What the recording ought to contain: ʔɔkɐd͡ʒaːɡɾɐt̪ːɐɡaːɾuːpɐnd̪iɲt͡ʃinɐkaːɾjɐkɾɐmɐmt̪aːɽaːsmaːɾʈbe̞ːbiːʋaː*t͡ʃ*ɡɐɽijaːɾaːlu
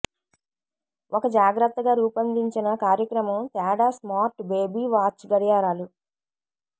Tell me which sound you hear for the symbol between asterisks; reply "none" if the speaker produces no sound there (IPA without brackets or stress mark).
t͡ʃ